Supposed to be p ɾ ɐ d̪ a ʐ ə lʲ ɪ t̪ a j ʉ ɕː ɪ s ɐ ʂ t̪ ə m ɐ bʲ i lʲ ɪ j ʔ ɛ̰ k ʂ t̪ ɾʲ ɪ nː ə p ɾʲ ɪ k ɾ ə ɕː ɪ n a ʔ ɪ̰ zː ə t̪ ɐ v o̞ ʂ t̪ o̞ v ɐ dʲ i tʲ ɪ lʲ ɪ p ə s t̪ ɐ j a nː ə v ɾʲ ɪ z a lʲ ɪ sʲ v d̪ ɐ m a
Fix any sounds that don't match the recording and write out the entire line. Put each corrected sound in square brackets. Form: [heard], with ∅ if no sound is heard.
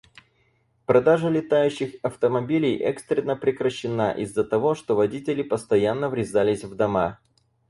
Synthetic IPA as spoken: p ɾ ɐ d̪ a ʐ ə lʲ ɪ t̪ a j ʉ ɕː ɪ [x] ɐ [f] t̪ ə m ɐ bʲ i lʲ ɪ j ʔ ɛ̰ k [s] t̪ ɾʲ ɪ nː ə p ɾʲ ɪ k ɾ ə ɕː ɪ n a ʔ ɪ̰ zː ə t̪ ɐ v o̞ ʂ t̪ o̞ v ɐ dʲ i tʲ ɪ lʲ ɪ p ə s t̪ ɐ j a nː ə v ɾʲ ɪ z a lʲ ɪ sʲ v d̪ ɐ m a